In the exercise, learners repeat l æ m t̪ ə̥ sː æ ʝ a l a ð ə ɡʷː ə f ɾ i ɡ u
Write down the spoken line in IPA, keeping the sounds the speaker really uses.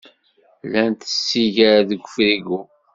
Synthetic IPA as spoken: l æ n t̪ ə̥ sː i ʝ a ɾ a ð ə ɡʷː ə f ɾ i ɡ u